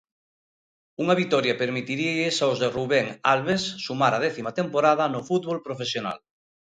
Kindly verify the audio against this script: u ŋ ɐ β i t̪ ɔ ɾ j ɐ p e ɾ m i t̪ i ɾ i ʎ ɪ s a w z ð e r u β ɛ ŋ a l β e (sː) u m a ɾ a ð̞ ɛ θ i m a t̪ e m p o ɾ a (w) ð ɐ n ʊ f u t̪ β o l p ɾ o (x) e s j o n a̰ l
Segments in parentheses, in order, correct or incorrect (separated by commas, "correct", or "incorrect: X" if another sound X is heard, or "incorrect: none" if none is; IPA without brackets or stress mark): correct, incorrect: none, incorrect: f